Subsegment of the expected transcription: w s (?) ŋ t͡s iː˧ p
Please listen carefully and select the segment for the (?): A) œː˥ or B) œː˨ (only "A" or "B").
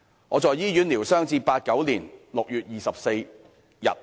A